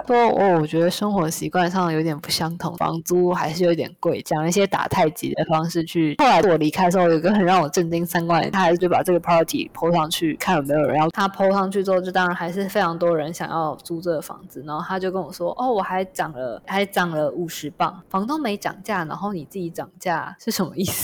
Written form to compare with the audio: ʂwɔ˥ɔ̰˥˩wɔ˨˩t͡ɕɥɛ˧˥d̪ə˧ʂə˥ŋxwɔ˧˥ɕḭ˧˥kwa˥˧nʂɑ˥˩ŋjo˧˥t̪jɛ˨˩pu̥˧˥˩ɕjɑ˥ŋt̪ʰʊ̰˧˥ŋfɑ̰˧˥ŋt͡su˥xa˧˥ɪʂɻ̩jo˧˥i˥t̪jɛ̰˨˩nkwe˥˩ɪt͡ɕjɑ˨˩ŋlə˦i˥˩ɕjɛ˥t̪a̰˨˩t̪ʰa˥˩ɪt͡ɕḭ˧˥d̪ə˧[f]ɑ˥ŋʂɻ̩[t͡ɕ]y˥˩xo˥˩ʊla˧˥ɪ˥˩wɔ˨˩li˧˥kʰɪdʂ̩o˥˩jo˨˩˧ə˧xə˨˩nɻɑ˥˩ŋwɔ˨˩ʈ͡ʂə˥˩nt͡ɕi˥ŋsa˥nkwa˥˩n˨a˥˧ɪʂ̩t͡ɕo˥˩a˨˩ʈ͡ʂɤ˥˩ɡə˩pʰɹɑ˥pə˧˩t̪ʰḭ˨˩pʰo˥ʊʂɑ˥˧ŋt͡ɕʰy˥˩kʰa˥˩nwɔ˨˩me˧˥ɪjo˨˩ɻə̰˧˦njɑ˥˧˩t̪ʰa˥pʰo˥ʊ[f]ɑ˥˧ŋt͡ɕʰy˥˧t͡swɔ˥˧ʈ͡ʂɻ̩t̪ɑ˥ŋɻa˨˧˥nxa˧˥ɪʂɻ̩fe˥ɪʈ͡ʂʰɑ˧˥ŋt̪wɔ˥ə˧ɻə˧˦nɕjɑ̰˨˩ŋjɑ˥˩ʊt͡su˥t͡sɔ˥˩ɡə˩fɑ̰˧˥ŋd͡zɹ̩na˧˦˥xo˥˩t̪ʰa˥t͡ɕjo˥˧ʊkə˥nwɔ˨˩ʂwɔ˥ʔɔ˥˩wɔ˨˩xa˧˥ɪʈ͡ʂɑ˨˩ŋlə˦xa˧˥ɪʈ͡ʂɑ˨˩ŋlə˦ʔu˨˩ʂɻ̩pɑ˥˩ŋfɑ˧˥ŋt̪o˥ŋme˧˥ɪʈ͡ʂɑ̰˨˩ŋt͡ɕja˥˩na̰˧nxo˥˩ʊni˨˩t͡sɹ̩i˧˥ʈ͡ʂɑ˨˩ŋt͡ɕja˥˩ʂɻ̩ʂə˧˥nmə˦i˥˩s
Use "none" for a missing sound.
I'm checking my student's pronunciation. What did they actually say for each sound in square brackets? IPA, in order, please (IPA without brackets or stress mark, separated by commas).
f, t͡ɕʰ, ʂ